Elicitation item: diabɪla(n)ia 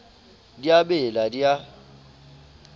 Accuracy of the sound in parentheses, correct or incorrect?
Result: incorrect